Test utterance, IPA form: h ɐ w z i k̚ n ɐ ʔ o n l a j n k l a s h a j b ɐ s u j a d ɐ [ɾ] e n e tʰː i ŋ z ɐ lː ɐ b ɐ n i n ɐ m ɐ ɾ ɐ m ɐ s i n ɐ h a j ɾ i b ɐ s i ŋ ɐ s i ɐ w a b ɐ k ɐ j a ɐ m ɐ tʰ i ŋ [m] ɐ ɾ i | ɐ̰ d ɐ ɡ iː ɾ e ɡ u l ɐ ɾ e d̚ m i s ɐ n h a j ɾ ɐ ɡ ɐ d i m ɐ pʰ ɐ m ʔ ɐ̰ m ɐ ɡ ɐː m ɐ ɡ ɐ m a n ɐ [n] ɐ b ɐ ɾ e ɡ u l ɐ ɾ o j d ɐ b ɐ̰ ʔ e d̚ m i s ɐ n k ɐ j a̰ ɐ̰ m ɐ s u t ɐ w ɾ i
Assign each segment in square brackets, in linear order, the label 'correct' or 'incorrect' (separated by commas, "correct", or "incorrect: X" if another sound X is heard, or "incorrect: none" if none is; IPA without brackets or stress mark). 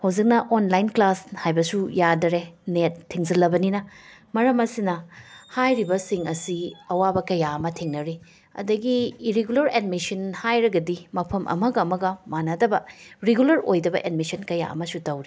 correct, incorrect: n, incorrect: d